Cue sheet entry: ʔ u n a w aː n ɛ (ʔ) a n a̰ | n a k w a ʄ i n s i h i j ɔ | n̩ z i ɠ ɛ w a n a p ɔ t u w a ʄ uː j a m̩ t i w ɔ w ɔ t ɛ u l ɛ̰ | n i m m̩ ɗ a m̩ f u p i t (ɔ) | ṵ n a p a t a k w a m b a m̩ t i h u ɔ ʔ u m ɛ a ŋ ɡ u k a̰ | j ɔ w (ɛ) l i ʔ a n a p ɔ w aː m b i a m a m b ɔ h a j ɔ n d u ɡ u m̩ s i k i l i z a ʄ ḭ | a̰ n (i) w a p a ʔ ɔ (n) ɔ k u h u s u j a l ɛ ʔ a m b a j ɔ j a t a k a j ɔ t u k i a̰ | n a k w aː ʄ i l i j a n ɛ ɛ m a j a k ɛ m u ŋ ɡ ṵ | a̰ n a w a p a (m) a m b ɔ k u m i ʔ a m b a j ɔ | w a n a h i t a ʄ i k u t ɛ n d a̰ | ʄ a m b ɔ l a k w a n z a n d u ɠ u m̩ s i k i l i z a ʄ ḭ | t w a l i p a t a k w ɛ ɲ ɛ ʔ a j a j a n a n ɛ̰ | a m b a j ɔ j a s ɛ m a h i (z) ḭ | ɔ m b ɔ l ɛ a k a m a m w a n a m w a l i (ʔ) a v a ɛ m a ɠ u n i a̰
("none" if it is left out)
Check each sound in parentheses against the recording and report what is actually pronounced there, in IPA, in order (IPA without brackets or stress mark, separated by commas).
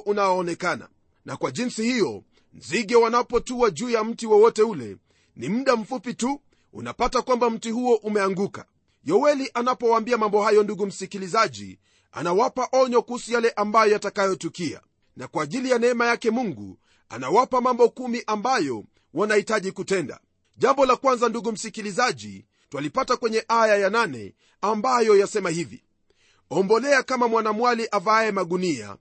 k, u, ɛ, a, ɲ, m, v, ʔ